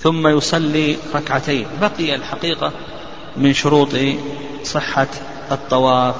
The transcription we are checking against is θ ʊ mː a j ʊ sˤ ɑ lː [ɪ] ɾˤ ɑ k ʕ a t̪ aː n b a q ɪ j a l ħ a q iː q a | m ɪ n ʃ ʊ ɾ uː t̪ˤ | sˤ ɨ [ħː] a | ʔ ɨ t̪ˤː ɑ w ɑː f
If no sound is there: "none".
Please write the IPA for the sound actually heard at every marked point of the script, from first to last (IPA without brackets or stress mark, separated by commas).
i, ħː